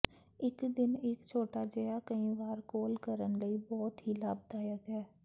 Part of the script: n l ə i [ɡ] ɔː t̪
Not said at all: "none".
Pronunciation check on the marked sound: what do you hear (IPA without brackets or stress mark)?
b